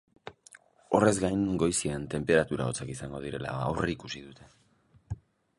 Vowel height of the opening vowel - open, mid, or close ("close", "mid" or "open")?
mid